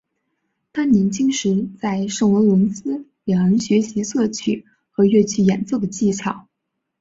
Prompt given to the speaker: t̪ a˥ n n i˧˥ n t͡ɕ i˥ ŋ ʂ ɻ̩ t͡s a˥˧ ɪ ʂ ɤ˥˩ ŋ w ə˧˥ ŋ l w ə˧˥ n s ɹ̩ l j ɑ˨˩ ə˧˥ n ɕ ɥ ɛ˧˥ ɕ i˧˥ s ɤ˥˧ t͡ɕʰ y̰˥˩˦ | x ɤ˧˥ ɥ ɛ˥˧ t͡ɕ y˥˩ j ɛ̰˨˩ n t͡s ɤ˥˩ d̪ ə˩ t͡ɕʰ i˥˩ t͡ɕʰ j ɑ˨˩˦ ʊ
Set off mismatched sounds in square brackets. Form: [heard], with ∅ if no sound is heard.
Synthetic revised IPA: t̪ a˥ n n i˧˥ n t͡ɕ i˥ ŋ ʂ ɻ̩ t͡s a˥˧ ɪ ʂ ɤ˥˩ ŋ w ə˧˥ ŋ l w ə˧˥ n s ɹ̩ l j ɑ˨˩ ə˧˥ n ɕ ɥ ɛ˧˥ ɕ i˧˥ s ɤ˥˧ t͡ɕʰ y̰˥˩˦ | x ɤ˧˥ ɥ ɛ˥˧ [t͡ɕʰ] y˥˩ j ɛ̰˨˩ n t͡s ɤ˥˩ d̪ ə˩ [t͡ɕ] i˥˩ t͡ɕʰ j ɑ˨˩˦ ʊ